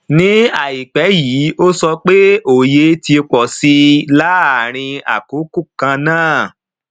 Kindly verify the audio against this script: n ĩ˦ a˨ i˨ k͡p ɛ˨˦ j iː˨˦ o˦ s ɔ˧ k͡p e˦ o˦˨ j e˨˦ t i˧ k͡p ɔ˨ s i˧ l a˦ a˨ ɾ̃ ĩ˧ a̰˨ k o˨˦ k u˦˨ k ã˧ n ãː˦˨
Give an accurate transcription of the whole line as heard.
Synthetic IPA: n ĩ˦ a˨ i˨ k͡p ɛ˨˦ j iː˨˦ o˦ s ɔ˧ k͡p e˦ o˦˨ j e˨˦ t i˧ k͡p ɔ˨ s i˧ l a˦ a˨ ɾ̃ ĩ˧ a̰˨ k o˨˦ k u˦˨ k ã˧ n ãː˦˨